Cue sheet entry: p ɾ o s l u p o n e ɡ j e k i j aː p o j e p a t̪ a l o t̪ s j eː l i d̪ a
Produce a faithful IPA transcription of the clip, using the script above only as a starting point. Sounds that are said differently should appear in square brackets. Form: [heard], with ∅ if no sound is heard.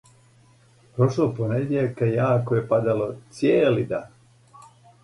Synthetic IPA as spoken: p ɾ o [ʃ] l [o] p o n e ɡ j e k [a] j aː [k] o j e p a [d̪] a l o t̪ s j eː l i d̪ a